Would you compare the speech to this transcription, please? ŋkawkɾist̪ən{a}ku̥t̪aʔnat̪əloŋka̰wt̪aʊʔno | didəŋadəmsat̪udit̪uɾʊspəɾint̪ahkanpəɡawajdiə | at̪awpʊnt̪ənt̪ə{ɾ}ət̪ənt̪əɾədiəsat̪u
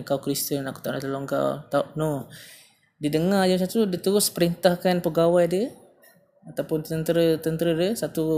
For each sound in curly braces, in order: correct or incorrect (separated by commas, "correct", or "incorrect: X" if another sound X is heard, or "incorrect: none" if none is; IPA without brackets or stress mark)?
correct, correct